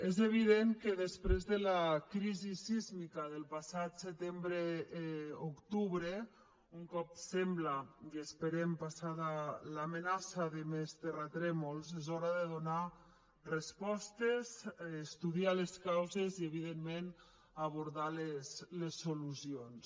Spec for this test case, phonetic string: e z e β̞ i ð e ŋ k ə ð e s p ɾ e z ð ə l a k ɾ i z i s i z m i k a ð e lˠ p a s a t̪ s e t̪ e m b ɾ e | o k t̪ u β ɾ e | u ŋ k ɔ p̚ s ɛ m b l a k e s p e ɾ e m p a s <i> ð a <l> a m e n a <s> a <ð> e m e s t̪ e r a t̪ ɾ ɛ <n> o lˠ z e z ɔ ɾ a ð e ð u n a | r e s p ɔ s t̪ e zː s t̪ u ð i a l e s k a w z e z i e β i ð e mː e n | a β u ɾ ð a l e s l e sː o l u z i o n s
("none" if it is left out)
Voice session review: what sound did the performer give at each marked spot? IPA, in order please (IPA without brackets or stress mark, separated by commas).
a, l, s, ð, m